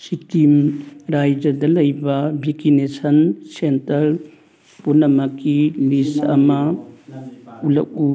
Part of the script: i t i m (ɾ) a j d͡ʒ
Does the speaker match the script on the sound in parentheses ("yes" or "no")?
yes